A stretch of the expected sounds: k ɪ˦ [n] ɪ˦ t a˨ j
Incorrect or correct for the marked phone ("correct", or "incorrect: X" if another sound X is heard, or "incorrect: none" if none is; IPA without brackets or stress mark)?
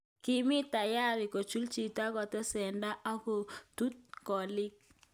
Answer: incorrect: m